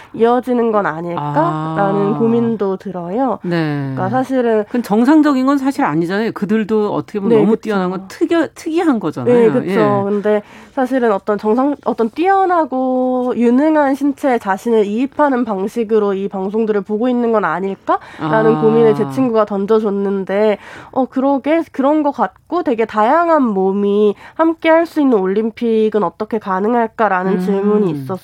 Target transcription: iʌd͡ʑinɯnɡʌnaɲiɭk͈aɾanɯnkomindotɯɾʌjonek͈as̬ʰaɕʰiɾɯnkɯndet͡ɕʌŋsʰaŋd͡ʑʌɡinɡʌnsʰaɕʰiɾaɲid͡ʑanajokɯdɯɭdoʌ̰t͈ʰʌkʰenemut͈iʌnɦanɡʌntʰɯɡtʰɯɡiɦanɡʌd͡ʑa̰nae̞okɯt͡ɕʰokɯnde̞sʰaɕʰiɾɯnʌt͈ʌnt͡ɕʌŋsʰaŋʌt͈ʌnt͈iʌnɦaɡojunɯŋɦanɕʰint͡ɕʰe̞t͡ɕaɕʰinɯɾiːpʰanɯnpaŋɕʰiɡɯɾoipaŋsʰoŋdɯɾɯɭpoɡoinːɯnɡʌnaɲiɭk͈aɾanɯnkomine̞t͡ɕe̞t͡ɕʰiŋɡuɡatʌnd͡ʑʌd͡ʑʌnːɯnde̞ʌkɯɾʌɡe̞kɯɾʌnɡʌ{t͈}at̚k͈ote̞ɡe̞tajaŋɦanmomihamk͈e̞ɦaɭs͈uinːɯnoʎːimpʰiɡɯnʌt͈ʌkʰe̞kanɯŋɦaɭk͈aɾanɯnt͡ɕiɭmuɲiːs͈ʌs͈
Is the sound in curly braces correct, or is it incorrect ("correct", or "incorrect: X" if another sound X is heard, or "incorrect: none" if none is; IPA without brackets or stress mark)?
incorrect: k͈